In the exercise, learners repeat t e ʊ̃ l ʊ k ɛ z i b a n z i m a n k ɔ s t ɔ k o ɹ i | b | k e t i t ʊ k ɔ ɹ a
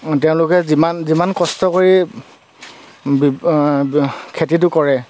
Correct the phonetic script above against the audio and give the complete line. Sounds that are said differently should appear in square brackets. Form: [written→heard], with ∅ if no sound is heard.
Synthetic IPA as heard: t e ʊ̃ l ʊ k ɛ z i [b→m] a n z i m a n k ɔ s t ɔ k o ɹ i | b | [k→kʰ] e t i t ʊ k ɔ ɹ [a→ɛ]